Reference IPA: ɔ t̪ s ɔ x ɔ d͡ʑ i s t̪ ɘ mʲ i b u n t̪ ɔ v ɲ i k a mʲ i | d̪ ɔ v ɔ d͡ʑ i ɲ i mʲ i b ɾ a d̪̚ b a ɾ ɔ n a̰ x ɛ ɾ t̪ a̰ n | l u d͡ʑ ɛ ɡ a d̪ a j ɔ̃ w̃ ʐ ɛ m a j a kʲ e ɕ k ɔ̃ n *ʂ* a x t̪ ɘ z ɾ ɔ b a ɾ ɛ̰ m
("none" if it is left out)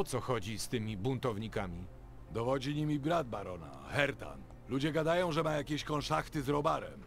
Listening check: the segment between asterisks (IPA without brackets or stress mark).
ʂ